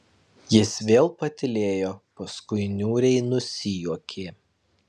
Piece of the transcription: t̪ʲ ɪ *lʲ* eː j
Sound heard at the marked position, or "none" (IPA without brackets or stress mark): lʲ